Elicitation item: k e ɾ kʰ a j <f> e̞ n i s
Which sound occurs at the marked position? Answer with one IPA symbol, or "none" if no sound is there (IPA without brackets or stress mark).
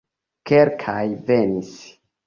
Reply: v